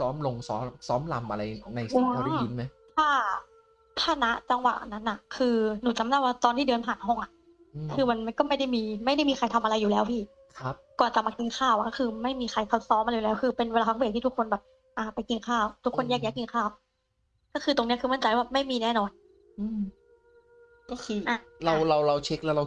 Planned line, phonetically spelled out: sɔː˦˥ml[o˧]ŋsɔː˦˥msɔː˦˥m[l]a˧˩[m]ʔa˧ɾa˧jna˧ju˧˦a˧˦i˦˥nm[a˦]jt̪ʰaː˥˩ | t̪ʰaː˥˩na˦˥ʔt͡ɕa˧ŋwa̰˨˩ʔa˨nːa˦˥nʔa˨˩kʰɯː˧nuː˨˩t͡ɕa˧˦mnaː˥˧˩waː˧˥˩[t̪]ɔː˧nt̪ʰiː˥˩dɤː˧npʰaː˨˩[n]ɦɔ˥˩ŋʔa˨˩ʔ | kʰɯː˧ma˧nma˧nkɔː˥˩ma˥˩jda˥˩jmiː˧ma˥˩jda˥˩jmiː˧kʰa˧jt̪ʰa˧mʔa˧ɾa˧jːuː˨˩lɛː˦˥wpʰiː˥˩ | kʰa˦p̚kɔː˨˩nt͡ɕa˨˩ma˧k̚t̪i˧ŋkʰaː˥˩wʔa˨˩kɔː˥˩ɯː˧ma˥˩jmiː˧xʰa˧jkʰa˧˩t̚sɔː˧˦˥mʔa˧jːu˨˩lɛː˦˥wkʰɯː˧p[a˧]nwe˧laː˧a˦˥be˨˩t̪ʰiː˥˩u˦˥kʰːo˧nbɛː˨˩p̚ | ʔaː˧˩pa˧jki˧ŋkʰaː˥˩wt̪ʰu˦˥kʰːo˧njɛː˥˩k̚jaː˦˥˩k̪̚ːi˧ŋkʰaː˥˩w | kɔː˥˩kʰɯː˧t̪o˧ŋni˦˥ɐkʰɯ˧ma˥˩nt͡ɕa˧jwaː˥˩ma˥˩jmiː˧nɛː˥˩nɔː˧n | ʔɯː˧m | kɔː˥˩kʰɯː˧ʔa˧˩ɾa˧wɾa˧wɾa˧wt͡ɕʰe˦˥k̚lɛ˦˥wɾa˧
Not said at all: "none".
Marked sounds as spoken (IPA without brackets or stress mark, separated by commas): o˧, l, m, a˦, t̪, n, e˧